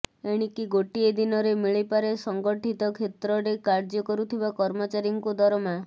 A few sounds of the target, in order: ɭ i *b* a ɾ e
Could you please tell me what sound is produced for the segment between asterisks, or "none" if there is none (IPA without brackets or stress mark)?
p